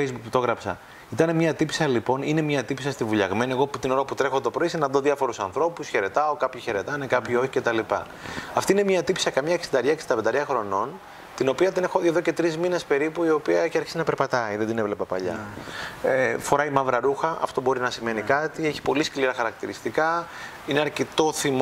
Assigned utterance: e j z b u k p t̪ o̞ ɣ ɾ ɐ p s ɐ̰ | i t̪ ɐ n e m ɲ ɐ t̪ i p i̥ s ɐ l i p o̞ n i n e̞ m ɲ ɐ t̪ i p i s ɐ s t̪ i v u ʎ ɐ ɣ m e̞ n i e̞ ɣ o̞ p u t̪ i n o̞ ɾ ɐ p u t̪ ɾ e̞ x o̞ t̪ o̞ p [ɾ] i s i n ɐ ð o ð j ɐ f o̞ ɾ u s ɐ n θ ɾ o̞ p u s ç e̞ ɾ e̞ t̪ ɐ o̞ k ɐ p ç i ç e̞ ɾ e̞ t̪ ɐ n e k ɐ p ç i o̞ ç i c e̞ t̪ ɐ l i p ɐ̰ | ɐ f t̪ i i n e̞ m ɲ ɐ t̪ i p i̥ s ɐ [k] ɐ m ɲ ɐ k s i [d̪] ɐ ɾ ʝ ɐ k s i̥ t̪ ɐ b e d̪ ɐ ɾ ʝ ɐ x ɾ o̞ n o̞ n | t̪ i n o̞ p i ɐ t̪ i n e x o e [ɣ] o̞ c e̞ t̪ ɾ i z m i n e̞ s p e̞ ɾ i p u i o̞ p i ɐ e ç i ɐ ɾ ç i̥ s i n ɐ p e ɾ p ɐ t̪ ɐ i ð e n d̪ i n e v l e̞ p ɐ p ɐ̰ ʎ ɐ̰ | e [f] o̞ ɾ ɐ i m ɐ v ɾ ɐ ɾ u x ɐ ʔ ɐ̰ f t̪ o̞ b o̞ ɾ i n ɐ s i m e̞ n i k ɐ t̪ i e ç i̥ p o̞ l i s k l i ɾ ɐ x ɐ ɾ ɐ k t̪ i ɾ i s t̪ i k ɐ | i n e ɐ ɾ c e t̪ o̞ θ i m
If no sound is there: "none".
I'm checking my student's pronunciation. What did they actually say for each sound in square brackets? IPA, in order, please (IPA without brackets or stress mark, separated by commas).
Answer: ɾ, k, d̪, ð, f